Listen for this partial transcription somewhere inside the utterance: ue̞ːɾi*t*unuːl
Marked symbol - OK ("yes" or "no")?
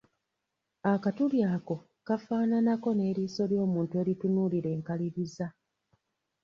yes